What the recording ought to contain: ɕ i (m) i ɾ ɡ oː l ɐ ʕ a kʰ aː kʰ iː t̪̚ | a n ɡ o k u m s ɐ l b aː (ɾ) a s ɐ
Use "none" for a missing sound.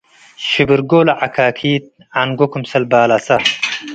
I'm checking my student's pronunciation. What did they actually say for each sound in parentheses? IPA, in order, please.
b, l

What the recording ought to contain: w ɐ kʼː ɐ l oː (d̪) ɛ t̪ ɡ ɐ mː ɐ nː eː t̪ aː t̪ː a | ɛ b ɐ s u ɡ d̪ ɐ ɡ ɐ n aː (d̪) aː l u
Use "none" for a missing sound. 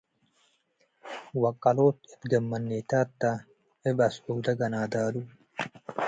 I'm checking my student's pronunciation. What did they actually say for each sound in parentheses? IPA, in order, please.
t̪, d̪

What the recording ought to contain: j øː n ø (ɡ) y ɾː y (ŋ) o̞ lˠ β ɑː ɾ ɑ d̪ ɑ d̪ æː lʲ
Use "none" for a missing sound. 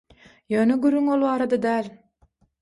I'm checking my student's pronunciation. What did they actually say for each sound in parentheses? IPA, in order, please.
ɡ, ŋ

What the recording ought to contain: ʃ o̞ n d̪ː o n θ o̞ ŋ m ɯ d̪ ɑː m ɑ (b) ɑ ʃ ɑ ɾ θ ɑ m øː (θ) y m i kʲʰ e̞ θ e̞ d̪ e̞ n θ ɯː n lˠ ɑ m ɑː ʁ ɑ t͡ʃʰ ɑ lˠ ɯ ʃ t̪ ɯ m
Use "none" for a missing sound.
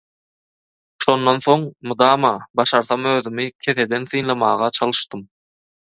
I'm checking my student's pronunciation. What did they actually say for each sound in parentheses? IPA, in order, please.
b, ð

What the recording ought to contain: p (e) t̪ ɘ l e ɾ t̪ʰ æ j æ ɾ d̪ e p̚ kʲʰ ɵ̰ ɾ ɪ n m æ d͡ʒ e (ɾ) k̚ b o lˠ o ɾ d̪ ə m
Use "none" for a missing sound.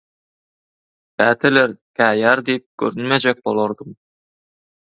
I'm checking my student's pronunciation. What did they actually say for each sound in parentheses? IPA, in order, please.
æ, none

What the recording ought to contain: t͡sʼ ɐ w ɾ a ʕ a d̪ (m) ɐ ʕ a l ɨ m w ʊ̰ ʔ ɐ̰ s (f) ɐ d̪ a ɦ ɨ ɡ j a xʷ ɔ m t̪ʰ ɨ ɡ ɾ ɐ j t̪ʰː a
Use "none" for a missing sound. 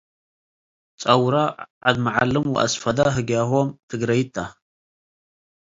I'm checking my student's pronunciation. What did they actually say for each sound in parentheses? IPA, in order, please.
m, f

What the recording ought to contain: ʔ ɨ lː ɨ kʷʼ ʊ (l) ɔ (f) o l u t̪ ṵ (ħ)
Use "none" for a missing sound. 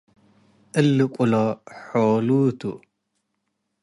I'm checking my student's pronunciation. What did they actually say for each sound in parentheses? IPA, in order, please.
l, ħ, none

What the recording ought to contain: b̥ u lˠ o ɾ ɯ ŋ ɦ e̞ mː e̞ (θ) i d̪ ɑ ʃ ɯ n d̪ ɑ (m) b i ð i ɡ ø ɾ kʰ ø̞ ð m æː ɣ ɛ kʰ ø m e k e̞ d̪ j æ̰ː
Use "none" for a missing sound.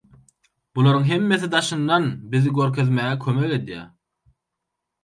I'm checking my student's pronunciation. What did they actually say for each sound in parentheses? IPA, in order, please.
θ, n

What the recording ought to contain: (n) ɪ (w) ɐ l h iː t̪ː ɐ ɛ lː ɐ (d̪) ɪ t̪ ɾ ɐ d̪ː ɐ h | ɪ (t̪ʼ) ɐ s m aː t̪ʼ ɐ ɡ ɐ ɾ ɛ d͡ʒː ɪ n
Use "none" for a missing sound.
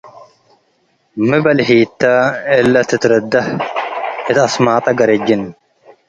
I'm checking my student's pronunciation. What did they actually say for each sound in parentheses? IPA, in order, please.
m, b, t̪, t̪

